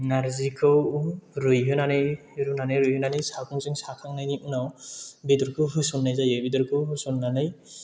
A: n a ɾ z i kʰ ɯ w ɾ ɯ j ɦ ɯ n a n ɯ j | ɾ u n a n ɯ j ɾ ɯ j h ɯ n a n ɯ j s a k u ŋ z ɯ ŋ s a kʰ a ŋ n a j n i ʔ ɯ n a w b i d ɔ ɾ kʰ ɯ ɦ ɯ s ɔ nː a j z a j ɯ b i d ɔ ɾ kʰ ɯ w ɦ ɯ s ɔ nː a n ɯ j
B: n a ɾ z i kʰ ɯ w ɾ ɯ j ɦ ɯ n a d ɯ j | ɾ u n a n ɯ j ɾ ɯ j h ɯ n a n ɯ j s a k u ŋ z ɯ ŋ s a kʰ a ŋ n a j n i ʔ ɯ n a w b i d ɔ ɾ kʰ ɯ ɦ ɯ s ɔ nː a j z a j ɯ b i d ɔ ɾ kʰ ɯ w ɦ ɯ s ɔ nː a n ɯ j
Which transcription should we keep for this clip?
A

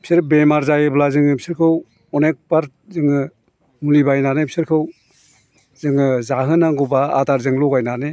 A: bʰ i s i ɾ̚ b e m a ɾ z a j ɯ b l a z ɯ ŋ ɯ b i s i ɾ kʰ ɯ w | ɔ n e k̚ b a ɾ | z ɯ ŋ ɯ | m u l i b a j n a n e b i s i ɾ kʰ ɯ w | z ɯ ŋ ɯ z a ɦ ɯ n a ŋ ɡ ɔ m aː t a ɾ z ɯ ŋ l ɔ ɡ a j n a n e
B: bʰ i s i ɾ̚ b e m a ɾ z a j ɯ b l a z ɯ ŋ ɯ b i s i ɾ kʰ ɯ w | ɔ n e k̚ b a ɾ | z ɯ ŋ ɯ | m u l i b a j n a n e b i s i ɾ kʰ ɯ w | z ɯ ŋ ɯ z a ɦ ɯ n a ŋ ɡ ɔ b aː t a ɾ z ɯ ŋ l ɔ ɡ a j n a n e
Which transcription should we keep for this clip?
B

